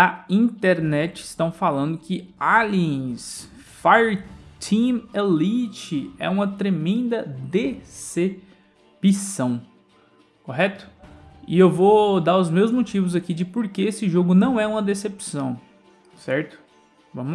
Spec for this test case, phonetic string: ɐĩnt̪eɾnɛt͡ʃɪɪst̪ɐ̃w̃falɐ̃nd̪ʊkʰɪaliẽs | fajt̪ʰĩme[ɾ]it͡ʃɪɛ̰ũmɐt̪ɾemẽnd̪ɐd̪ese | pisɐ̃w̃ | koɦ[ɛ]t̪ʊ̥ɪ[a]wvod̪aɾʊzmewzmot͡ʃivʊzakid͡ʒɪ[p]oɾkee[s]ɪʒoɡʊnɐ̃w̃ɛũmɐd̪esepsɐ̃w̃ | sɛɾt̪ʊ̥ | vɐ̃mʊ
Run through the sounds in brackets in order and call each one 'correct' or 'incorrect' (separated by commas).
incorrect, correct, incorrect, correct, correct